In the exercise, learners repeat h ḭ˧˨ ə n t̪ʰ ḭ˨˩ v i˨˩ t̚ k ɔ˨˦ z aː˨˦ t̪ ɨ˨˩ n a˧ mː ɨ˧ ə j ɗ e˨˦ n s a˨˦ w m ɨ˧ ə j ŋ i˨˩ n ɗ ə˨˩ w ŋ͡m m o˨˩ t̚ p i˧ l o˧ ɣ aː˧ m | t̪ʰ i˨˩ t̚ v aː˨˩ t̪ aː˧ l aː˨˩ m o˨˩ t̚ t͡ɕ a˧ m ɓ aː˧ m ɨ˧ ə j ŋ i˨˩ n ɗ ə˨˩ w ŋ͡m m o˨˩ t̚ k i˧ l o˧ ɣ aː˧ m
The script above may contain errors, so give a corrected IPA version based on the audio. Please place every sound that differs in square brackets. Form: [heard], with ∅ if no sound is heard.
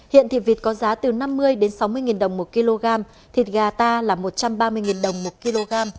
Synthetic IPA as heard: h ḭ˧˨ ə n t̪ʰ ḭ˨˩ v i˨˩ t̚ k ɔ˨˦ z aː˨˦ t̪ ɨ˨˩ n a˧ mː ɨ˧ ə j ɗ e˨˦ n s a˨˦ w m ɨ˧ ə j ŋ i˨˩ n ɗ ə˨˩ w ŋ͡m m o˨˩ t̚ [k] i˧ l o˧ ɣ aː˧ m | t̪ʰ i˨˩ t̚ [ɣ] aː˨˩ t̪ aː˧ l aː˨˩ m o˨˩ t̚ t͡ɕ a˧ m ɓ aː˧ m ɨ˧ ə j ŋ i˨˩ n ɗ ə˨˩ w ŋ͡m m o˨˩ t̚ k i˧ l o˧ ɣ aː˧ m